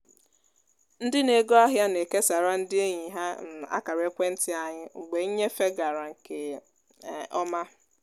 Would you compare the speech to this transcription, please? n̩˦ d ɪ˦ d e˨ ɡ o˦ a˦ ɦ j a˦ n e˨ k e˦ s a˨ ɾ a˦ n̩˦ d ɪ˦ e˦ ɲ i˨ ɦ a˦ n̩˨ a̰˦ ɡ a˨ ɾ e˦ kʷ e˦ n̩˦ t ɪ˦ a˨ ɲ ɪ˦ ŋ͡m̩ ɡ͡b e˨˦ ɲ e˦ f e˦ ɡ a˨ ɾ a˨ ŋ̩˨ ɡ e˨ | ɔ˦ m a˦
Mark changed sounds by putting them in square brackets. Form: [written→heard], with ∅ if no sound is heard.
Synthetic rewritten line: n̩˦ d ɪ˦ [d→n] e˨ ɡ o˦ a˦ ɦ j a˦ n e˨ k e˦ s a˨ ɾ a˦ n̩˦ d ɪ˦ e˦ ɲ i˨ ɦ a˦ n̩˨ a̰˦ [ɡ→k] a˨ ɾ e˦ kʷ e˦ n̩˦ t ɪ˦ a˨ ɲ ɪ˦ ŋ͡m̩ ɡ͡b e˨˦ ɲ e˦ f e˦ ɡ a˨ ɾ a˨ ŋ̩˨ [ɡ→k] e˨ | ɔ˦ m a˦